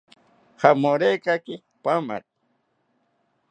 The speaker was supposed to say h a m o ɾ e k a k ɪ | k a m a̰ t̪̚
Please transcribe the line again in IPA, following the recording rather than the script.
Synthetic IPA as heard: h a m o ɾ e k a k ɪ | p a m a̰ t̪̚